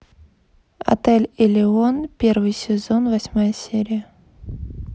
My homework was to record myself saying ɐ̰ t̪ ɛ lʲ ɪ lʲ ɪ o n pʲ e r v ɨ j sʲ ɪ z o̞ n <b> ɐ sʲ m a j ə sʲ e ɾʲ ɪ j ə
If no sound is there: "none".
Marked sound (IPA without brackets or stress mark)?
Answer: v